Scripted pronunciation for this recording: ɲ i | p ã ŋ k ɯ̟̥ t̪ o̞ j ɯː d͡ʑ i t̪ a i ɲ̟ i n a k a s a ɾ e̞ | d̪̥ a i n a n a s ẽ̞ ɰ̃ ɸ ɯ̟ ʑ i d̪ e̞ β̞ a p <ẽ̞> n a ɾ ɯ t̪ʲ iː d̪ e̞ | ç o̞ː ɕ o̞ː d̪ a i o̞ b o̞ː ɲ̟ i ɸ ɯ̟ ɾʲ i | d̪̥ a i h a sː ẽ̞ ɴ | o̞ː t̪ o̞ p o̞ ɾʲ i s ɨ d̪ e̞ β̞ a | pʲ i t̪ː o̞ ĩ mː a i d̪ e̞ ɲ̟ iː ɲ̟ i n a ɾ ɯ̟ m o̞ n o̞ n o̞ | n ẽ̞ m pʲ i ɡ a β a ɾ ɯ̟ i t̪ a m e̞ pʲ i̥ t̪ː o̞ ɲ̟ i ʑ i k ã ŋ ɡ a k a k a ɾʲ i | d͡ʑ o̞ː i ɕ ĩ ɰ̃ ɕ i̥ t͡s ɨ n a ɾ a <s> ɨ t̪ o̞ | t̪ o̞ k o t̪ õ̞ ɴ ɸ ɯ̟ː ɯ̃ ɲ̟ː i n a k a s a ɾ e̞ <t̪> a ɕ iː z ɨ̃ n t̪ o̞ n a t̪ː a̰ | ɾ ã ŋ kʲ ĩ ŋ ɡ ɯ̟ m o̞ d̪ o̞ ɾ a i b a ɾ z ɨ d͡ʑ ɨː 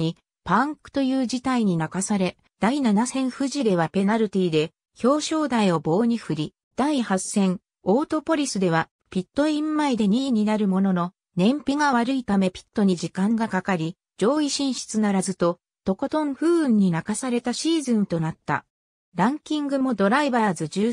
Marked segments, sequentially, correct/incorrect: incorrect: e̞, incorrect: z, correct

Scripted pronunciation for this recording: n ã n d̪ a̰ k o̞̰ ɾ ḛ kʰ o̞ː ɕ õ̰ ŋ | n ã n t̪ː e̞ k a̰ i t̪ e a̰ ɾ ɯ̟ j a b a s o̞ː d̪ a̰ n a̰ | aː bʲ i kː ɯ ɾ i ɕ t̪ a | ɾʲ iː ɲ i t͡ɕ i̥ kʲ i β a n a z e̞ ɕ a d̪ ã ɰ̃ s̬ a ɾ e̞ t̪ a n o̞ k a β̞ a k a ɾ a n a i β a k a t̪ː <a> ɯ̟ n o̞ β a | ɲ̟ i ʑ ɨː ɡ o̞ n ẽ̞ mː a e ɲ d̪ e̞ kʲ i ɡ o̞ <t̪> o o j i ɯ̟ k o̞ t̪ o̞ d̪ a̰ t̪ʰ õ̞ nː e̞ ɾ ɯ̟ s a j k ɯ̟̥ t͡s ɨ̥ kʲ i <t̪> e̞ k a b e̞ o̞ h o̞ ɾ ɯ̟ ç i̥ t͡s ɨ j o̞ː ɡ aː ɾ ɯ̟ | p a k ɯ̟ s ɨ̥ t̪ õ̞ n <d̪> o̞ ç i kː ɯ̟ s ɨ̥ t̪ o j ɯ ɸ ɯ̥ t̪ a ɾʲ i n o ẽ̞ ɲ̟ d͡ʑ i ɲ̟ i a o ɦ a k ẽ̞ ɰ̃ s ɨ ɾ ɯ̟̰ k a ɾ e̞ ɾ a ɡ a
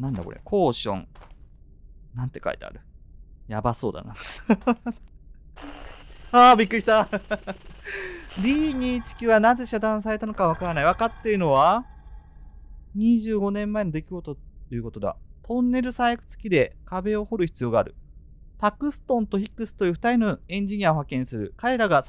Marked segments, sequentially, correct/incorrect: incorrect: e, correct, incorrect: d̪, incorrect: t̪

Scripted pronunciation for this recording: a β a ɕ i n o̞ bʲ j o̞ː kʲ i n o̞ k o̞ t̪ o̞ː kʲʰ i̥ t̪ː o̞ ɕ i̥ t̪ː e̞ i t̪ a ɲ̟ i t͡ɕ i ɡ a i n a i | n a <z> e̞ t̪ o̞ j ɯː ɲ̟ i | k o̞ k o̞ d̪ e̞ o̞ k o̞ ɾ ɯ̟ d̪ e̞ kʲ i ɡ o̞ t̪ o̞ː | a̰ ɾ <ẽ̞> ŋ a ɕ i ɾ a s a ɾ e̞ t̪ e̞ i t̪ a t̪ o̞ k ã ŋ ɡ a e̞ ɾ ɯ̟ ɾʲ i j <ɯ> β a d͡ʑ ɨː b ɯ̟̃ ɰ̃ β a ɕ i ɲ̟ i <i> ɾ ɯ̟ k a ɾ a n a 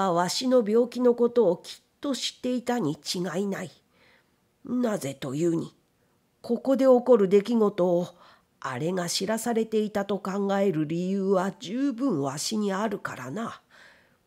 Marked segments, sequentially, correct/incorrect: correct, incorrect: e̞, incorrect: ɯː, incorrect: a

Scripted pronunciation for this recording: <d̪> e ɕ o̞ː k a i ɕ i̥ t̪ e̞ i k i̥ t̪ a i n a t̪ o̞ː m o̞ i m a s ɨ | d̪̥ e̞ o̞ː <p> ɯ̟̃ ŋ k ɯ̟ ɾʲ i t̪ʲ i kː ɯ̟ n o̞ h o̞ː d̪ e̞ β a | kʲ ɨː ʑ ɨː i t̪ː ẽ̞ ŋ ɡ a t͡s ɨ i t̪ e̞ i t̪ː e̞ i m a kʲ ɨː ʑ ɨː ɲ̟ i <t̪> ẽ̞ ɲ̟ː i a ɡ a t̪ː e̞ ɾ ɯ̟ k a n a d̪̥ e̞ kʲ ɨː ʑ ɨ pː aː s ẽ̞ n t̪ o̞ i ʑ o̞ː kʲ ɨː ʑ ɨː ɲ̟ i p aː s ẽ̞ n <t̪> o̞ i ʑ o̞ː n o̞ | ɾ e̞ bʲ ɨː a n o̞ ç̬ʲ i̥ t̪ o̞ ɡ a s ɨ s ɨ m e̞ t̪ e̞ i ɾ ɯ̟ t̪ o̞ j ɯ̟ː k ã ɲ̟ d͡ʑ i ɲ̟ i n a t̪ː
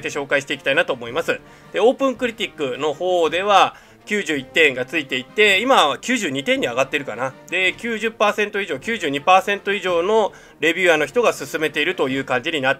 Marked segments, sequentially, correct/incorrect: incorrect: t̪, correct, correct, correct

